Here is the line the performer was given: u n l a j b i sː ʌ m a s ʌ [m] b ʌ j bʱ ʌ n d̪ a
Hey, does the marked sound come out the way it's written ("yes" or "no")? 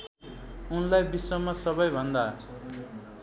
no